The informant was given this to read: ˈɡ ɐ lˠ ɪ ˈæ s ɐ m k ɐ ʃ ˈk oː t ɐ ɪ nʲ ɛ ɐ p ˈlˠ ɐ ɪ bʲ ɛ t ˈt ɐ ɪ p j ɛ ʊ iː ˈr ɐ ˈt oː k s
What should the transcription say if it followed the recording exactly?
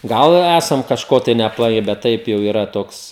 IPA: ˈɡ ɐ lˠ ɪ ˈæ s ɐ m k ɐ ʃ ˈk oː t ɐ ɪ nʲ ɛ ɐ p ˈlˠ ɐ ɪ bʲ ɛ t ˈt ɐ ɪ p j ɛ ʊ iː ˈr ɐ ˈt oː k s